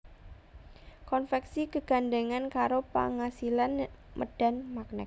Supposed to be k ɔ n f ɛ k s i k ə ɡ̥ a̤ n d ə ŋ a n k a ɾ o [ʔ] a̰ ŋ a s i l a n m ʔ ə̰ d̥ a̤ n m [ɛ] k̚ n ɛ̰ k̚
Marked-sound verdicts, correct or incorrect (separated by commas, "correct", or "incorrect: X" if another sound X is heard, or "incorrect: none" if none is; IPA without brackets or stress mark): incorrect: p, incorrect: a